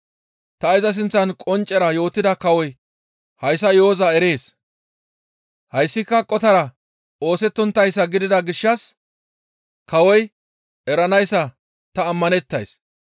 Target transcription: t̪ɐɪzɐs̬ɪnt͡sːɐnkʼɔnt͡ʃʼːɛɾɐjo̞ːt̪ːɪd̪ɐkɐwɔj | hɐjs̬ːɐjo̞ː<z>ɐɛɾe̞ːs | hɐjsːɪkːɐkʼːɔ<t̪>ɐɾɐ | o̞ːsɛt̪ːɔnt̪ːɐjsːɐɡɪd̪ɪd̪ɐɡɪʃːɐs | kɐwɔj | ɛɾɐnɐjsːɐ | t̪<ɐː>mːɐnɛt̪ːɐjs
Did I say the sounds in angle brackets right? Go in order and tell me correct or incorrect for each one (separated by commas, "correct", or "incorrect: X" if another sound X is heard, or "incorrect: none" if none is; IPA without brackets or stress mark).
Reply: correct, correct, correct